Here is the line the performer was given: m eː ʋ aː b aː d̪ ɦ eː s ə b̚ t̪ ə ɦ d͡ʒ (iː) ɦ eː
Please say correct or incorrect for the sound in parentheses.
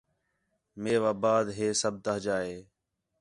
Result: incorrect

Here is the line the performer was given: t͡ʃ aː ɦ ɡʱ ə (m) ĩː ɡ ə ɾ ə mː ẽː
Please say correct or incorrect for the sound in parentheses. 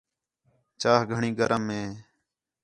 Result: incorrect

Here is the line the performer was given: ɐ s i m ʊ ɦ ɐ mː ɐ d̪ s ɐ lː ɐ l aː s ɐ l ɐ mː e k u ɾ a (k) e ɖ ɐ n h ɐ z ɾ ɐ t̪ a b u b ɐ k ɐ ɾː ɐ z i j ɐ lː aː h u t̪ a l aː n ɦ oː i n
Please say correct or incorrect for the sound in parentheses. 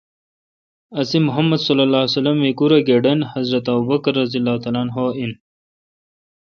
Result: incorrect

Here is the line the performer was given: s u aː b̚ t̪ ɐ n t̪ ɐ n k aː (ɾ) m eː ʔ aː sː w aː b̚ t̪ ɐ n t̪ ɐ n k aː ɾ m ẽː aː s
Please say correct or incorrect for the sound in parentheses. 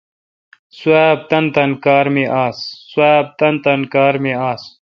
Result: correct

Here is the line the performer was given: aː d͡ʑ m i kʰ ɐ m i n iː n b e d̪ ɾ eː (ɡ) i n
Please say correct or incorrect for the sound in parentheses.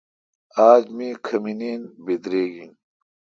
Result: correct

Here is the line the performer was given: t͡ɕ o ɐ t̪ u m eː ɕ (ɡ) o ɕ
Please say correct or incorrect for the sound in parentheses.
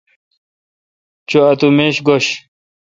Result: correct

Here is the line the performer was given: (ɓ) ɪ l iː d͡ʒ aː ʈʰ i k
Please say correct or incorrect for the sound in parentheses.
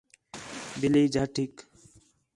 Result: incorrect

